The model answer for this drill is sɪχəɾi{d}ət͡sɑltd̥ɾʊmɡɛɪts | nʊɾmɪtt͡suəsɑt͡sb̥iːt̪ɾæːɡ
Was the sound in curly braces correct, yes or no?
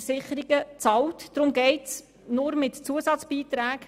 no